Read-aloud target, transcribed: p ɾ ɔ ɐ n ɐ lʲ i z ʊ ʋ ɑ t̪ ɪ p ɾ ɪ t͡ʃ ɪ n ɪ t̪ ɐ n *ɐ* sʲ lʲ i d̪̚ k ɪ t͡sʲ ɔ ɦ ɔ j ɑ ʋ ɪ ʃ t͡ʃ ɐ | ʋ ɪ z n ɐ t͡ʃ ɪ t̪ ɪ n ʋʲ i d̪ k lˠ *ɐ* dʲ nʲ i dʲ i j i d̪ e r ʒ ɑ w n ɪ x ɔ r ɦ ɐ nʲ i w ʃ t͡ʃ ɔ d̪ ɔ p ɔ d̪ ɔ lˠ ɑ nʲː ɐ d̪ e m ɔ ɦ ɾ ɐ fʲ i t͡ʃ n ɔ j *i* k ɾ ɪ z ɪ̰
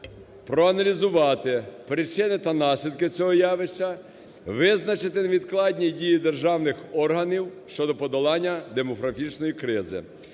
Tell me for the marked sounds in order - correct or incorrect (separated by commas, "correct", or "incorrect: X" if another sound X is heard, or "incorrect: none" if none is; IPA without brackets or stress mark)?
incorrect: ɑ, incorrect: ɑ, correct